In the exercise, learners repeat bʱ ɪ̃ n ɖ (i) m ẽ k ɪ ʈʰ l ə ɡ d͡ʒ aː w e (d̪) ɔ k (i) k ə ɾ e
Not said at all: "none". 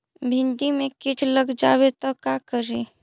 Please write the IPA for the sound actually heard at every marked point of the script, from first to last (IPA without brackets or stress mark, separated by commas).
i, t̪, a